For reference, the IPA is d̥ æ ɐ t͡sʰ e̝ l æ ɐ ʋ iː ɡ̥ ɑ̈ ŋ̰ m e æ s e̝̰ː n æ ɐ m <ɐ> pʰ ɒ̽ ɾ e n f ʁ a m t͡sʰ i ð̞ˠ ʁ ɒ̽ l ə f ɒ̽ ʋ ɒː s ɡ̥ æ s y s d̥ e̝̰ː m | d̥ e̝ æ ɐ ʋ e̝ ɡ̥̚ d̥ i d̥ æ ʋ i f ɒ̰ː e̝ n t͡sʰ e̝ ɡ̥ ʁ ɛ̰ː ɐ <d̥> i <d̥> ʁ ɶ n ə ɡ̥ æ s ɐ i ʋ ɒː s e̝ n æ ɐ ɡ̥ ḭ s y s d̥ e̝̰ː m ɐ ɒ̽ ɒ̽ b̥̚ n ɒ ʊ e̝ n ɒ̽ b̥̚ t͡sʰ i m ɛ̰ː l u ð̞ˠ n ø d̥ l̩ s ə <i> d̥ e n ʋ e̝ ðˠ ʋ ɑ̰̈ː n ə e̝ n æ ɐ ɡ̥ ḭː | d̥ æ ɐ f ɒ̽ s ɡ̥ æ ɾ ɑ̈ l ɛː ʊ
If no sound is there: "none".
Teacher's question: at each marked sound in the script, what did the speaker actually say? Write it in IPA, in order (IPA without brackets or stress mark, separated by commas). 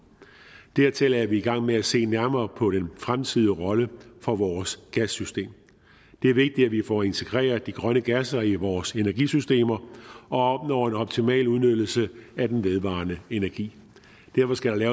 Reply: ɐː, d̥, ɡ̥, æ